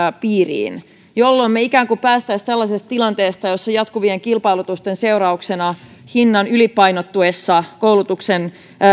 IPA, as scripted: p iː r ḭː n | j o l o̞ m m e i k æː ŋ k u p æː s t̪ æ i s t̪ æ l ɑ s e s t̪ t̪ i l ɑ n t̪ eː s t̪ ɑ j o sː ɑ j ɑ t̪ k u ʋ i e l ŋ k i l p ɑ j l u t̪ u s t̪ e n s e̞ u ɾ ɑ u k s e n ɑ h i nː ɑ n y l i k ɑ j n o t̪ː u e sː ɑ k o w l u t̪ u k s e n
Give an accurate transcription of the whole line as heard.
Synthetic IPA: p iː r ḭː n | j o lː o̞ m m e i k æː ŋ k u p æː s t̪ æ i s t̪ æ lː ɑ s e s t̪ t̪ i l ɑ n t̪ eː s t̪ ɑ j o sː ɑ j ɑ t̪ k u ʋ i e ŋ k i l p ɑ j l u t̪ u s t̪ e n s e̞ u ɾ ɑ u k s e n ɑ h i nː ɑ n y l i p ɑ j n o t̪ː u e sː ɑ k o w l u t̪ u k s e n